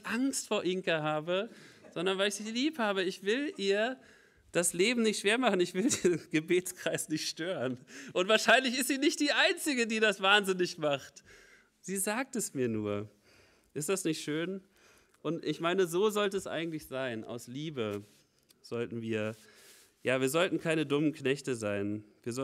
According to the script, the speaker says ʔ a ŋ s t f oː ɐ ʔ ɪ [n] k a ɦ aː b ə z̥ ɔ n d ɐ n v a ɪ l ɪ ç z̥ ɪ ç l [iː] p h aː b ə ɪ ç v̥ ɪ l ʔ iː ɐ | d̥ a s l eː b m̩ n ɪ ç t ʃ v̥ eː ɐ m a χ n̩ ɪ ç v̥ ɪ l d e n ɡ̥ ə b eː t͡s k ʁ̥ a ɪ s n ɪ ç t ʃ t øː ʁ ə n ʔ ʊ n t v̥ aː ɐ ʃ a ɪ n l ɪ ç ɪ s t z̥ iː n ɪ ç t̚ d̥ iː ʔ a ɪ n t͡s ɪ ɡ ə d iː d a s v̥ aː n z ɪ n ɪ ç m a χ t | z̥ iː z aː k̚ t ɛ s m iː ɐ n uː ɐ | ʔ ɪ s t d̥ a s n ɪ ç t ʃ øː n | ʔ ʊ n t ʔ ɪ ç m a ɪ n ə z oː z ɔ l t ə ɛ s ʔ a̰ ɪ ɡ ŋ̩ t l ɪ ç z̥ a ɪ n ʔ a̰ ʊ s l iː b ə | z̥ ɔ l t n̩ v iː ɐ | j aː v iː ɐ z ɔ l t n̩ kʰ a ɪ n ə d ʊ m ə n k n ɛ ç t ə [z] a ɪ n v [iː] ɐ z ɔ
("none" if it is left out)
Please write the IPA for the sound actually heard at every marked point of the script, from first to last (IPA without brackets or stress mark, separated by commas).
ŋ, iː, z, iː